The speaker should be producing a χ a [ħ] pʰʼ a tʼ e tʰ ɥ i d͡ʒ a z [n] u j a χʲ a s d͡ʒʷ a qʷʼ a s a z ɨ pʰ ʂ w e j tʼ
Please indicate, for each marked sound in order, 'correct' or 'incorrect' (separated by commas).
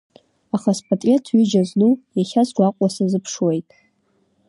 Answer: incorrect, correct